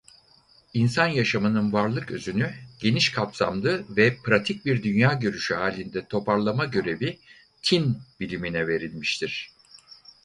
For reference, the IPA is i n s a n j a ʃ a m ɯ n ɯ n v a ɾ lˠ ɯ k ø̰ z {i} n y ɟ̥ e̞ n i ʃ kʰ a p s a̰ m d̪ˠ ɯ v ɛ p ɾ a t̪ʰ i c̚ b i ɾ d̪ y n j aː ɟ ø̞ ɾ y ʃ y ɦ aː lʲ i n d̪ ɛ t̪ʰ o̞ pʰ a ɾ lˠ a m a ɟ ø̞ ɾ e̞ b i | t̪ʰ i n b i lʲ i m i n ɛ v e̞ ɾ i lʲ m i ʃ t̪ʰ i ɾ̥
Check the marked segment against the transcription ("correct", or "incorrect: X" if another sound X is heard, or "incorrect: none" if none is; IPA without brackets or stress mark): incorrect: y